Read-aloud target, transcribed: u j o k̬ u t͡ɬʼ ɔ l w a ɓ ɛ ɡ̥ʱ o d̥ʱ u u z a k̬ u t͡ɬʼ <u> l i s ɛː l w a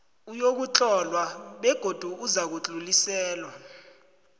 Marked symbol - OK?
yes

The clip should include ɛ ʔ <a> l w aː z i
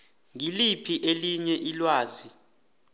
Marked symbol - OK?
no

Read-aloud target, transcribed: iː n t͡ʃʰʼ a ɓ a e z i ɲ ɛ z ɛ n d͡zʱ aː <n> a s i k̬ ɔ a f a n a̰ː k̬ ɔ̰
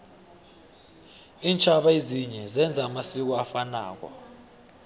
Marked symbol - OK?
no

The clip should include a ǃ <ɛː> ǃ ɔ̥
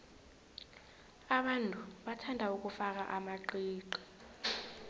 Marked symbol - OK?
no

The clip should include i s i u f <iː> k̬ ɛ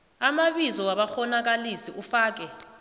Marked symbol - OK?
no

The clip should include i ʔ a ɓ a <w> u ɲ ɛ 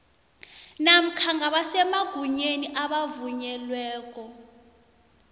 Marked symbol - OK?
no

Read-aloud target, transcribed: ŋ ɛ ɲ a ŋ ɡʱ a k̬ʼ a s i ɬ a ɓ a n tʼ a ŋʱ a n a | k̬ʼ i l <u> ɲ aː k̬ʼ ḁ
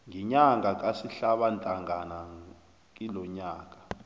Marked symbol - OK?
no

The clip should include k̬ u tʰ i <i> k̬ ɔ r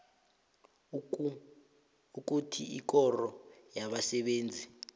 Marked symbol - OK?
yes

